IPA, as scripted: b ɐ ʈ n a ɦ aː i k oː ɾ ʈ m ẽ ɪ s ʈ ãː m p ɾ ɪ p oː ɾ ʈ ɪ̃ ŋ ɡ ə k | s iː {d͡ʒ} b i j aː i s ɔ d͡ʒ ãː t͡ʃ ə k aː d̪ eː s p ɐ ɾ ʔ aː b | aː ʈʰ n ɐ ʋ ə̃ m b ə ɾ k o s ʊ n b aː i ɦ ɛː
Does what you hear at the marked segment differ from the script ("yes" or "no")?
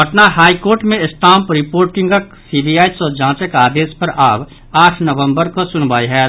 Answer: yes